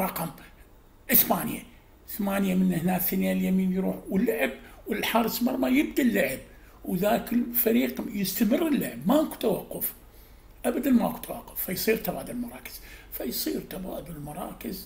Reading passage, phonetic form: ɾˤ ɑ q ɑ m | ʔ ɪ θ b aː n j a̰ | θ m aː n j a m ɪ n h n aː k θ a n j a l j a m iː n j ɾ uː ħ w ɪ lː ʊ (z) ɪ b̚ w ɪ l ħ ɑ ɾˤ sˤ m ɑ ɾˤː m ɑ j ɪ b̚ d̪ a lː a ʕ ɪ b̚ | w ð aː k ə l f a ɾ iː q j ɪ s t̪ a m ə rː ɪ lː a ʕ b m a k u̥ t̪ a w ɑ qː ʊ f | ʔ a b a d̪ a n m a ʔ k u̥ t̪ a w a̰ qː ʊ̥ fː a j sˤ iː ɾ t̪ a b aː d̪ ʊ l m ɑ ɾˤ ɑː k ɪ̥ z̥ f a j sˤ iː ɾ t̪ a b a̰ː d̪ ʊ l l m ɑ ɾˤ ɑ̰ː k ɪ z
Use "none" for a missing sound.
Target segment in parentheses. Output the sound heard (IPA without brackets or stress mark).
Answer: ʕ